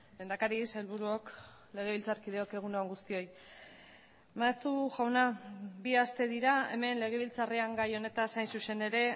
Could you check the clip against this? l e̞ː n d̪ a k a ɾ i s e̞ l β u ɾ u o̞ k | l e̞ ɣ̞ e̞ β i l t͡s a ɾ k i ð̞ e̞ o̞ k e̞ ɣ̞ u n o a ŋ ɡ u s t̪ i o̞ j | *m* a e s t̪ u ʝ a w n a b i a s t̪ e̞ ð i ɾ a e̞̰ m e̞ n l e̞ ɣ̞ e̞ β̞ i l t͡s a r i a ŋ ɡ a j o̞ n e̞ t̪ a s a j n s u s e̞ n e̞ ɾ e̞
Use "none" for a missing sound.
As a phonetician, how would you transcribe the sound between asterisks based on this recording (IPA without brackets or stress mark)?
m